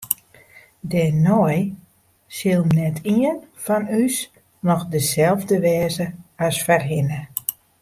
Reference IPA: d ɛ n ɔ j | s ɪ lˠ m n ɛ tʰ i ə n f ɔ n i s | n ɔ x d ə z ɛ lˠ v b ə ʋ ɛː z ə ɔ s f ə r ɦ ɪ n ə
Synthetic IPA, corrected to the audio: d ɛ n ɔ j | s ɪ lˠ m n ɛ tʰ i ə n f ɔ n y s | n ɔ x d ə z ɛ lˠ v d ə ʋ ɛː z ə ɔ s f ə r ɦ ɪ n ə